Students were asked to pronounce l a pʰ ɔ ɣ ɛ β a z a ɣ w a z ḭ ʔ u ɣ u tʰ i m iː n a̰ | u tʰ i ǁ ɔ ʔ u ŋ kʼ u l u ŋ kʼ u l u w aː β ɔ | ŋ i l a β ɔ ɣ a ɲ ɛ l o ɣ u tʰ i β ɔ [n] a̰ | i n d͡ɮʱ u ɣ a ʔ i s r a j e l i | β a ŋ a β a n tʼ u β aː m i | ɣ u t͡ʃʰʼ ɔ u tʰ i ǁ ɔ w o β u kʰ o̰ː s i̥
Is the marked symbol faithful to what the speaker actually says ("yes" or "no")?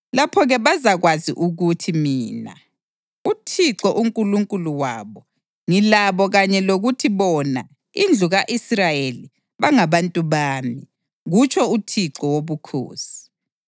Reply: yes